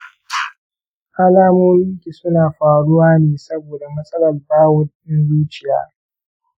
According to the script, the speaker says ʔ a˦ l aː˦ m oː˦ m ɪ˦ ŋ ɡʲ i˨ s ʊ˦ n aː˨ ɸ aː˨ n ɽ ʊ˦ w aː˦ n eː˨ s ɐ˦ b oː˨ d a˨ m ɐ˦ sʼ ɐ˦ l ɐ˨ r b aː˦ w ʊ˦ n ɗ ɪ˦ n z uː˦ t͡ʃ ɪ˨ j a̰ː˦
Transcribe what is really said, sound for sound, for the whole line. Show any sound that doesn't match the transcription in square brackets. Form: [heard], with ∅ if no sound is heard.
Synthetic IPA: ʔ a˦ l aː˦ m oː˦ m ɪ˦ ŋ [kʲ] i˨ s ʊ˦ n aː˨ ɸ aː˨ [∅] ɽ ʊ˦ w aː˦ n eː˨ s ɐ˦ b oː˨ d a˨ m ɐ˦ sʼ ɐ˦ l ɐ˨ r b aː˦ w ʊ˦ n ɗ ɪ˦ n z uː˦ t͡ʃ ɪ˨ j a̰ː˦